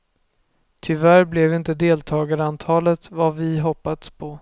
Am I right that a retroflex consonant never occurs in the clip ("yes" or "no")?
yes